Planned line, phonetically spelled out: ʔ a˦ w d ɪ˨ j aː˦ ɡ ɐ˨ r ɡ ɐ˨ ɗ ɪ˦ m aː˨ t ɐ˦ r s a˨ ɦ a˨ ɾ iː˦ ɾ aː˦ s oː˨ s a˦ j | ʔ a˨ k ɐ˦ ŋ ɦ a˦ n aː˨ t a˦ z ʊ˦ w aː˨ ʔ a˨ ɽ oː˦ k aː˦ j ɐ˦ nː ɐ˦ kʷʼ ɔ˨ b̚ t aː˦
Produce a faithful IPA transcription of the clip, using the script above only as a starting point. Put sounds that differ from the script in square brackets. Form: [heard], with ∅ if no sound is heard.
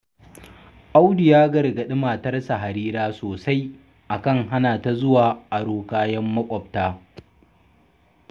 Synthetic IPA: ʔ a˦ w d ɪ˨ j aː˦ ɡ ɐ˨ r ɡ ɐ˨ ɗ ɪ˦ m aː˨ t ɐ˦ r s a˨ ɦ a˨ ɾ iː˦ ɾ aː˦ s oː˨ s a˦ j | ʔ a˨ k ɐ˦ ŋ ɦ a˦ n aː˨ t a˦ z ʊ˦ w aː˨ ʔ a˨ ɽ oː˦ k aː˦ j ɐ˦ [mː] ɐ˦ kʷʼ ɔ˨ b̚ t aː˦